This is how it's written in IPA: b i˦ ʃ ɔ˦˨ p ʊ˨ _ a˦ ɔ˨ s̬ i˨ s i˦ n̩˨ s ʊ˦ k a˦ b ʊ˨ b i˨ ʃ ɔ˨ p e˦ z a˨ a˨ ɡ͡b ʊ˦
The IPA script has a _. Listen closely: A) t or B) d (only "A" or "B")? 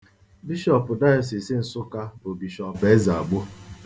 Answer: B